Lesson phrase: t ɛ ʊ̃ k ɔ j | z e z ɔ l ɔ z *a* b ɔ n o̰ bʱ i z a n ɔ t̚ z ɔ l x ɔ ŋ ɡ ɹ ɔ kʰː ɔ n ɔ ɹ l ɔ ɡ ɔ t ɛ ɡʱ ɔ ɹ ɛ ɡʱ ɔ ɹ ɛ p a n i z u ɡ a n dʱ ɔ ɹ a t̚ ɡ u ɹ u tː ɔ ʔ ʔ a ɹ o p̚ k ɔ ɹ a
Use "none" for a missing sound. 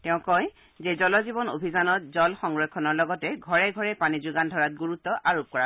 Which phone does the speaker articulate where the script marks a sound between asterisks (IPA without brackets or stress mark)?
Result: i